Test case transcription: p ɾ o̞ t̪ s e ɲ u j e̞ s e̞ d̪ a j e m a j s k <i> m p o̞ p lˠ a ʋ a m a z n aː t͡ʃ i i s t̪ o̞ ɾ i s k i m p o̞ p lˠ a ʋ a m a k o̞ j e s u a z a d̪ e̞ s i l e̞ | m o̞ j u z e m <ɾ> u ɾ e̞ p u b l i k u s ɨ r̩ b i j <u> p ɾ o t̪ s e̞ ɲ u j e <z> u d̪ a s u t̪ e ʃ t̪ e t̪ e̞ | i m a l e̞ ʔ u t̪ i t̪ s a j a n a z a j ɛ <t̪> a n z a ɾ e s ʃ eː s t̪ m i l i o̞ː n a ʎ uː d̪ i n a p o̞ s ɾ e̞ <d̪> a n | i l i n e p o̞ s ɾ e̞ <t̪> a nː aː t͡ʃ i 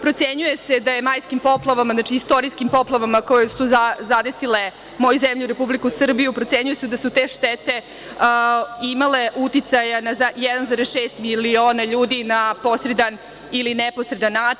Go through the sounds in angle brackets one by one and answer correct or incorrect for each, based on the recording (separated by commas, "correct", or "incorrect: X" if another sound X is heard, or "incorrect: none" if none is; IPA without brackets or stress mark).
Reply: correct, incorrect: ʎ, correct, incorrect: s, incorrect: d̪, correct, incorrect: d̪